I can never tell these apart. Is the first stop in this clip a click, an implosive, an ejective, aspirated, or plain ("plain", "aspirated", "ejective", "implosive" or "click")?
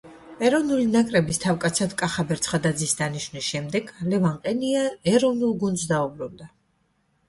ejective